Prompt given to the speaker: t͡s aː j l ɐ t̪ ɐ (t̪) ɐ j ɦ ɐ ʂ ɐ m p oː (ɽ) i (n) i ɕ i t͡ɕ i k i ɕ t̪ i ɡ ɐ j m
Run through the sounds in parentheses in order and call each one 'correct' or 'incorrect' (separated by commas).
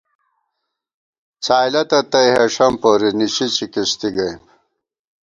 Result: correct, incorrect, correct